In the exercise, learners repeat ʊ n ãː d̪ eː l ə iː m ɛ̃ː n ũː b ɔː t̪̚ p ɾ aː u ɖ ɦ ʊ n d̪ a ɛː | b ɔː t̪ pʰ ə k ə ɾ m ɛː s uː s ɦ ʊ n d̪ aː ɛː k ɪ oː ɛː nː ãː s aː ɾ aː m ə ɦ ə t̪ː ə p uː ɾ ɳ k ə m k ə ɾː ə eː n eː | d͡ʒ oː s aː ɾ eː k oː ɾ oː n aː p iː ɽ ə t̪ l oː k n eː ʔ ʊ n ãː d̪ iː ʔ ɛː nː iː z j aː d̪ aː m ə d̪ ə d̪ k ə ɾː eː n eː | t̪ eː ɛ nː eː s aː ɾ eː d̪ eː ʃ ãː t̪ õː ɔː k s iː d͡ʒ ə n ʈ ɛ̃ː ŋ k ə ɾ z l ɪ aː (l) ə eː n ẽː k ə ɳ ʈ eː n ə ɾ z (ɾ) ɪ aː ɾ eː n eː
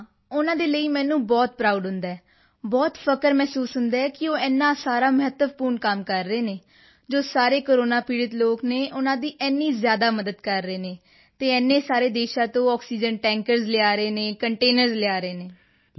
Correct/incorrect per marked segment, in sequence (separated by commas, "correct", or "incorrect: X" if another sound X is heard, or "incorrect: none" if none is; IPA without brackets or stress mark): incorrect: ɾ, incorrect: l